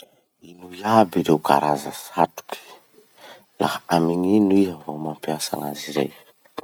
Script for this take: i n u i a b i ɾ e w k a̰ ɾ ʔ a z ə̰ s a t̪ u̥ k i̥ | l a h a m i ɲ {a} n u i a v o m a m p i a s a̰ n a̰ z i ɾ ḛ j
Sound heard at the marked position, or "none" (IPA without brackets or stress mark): i